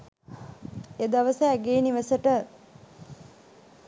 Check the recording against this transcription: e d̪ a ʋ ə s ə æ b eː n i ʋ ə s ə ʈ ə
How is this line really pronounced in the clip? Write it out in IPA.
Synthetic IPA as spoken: e d̪ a ʋ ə s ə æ ɡ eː n i ʋ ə s ə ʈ ə

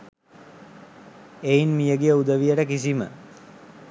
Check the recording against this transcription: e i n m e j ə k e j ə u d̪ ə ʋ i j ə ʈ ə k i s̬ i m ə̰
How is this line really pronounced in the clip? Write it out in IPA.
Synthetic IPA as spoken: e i n m i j ə ɡ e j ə u d̪ ə ʋ i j ə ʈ ə k i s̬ i m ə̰

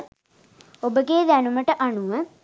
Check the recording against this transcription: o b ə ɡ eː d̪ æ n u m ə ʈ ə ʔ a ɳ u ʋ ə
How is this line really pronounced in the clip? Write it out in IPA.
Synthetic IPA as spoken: o b ə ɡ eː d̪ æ n u m ə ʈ ə ʔ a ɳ u ʋ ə

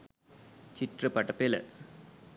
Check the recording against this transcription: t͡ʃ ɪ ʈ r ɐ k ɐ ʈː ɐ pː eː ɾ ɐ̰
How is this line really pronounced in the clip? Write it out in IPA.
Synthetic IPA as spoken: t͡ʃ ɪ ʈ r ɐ p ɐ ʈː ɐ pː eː l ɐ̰

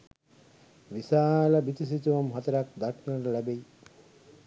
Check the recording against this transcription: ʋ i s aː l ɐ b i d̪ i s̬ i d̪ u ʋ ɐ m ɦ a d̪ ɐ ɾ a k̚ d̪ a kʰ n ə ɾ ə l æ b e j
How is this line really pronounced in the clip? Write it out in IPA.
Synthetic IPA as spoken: ʋ i s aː l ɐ b i t̪ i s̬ i t̪ u ʋ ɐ m ɦ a t̪ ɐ ɾ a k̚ d̪ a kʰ n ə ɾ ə l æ b e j

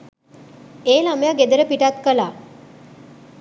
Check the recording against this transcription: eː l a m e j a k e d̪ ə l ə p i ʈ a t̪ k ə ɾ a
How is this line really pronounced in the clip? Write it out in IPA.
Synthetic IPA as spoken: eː l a m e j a ɡ e d̪ ə ɾ ə p i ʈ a t̪ k ə l a

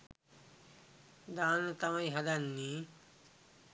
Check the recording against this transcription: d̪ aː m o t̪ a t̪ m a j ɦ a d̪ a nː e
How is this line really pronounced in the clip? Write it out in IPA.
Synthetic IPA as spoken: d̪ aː n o t̪ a m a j ɦ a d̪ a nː i

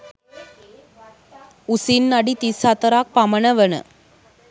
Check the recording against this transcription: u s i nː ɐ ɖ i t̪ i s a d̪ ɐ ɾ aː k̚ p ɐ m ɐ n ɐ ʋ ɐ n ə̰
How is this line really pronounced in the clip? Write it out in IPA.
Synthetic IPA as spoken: u s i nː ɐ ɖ i t̪ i s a t̪ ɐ ɾ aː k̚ p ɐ m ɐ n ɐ ʋ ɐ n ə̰

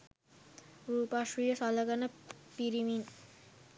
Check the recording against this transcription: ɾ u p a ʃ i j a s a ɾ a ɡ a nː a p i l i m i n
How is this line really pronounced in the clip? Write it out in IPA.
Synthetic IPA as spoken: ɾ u p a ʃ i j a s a l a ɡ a n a p i ɾ i m i n

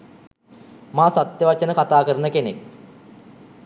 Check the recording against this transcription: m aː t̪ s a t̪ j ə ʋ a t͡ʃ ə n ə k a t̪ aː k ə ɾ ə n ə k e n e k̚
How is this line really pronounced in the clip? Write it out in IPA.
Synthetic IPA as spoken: m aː s a t̪ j ə ʋ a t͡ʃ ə n ə k a t̪ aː k ə ɾ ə n ə k e n e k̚

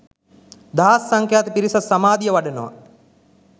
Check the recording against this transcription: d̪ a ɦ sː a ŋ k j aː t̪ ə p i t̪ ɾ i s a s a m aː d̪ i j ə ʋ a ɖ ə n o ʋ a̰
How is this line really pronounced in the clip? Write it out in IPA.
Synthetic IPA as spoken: d̪ a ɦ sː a ŋ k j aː t̪ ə p i ɾ i s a s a m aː d̪ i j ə ʋ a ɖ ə n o ʋ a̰

